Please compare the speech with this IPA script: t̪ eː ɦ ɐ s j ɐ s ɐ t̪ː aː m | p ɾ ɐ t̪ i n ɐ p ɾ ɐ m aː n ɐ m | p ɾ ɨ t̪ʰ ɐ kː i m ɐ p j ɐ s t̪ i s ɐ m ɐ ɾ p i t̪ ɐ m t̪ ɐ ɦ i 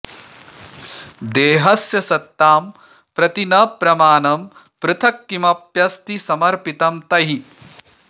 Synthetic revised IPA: d̪ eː ɦ ɐ s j ɐ s ɐ t̪ː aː m | p ɾ ɐ t̪ i n ɐ p ɾ ɐ m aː n ɐ m | p ɾ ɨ t̪ʰ ɐ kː i m ɐ p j ɐ s t̪ i s ɐ m ɐ ɾ p i t̪ ɐ m t̪ ɐ ɦ i